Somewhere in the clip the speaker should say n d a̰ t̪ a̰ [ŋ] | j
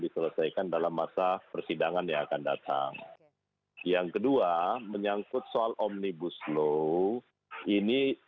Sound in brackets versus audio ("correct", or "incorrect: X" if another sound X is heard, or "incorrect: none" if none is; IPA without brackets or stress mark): correct